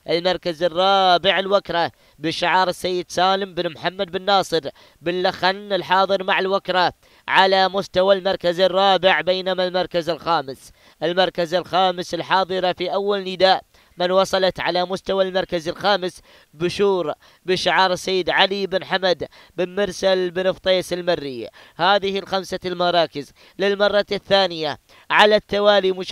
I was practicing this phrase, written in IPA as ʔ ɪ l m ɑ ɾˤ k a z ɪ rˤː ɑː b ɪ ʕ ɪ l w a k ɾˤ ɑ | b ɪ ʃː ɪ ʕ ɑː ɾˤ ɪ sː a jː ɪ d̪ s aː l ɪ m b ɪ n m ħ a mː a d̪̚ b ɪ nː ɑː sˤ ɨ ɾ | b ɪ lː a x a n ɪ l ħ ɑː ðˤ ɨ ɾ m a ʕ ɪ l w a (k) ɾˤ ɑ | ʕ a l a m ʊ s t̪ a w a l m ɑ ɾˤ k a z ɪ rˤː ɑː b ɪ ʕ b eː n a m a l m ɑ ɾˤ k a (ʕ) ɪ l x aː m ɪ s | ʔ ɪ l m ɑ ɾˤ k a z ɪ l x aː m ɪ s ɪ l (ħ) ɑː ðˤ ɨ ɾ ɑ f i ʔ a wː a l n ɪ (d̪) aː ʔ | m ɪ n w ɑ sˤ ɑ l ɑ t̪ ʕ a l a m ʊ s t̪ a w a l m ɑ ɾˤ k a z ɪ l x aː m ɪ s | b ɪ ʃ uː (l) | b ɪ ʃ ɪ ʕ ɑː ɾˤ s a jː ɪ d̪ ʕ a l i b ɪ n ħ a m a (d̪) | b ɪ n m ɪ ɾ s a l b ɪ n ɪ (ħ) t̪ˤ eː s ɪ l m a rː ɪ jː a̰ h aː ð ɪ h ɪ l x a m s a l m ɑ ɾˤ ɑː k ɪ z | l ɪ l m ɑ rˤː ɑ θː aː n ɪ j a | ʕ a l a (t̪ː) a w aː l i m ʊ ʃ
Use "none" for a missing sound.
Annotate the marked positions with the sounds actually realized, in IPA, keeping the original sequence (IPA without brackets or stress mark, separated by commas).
k, z, ħ, d̪, ɾ, d̪, f, t̪ː